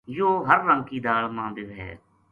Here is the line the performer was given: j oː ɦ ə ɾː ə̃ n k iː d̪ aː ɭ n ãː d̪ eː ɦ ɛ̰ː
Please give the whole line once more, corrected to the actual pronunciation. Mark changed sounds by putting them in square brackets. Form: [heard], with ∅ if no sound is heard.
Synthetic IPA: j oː ɦ ə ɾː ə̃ [ŋ] k iː d̪ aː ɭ [m] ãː d̪ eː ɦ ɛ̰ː